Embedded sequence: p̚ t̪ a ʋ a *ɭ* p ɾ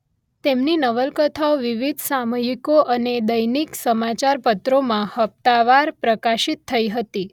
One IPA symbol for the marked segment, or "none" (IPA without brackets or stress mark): ɾ